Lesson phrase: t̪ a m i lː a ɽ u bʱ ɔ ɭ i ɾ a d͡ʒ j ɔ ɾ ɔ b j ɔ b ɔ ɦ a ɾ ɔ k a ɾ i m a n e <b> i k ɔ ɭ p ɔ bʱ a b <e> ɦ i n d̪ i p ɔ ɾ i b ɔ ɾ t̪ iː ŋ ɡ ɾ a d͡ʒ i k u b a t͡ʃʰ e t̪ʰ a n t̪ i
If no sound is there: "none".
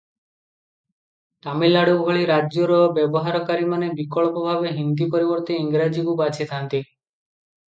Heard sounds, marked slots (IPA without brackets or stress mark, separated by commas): b, e